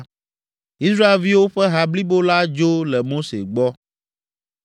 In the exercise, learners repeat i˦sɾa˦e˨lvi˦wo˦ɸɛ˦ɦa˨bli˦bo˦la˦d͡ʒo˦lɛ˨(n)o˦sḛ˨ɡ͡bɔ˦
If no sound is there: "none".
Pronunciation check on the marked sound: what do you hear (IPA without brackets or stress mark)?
m